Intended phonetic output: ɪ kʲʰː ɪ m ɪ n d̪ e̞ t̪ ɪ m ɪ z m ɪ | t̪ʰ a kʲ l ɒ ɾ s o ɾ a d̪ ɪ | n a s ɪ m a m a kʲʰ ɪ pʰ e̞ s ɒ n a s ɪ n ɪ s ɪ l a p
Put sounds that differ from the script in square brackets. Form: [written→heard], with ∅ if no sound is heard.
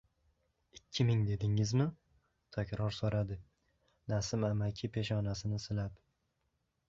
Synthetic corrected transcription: ɪ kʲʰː ɪ m ɪ [n→ŋ] d̪ e̞ [t̪→d̪] ɪ [m→ŋ] ɪ z m ɪ | t̪ʰ a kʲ [l→ɾ] ɒ ɾ s o ɾ a d̪ ɪ | n a s ɪ m a m a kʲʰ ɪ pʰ e̞ [s→ʃ] ɒ n a s ɪ n ɪ s ɪ l a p